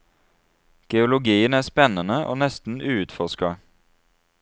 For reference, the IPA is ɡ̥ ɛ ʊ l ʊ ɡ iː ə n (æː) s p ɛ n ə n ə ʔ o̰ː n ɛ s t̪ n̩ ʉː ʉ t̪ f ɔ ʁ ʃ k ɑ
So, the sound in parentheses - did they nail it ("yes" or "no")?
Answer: yes